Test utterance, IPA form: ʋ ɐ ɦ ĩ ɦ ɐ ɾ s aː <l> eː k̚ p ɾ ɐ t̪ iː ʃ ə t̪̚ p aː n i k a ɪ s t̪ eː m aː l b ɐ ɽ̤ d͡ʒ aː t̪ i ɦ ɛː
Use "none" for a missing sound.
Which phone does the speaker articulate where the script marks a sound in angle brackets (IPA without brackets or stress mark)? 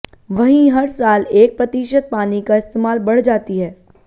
l